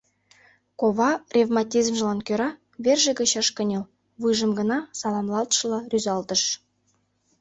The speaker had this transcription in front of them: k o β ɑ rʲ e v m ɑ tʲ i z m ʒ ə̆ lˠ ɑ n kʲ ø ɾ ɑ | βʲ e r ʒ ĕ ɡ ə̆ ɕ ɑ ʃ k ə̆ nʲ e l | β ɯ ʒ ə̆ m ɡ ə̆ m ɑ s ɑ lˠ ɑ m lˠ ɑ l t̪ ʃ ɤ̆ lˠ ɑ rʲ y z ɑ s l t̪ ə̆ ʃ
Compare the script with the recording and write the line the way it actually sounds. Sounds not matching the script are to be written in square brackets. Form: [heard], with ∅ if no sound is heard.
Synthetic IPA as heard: k o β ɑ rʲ e v m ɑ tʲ i z m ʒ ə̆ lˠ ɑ n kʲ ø ɾ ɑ | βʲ e r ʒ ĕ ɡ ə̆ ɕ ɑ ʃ k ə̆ nʲ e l | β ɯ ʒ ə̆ m ɡ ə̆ [n] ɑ s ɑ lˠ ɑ m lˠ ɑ l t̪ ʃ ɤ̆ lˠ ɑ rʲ y z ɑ [∅] l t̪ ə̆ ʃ